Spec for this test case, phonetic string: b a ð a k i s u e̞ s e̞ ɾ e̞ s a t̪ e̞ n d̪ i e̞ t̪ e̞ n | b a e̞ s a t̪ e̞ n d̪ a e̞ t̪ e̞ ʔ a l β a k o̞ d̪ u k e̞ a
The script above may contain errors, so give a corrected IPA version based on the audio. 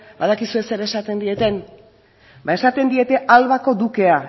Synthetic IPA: b a ð a k i s u e̞ s e̞ ɾ e̞ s a t̪ e̞ n d̪ i e̞ t̪ e̞ n | b a e̞ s a t̪ e̞ n d̪ i e̞ t̪ e̞ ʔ a l β a k o̞ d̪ u k e̞ a